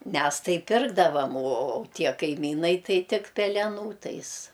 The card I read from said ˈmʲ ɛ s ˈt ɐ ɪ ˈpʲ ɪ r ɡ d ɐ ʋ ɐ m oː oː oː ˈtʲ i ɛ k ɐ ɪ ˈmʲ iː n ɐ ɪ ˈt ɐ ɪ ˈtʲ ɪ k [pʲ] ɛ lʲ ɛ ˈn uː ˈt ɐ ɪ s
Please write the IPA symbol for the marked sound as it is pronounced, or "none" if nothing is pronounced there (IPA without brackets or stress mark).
pʲ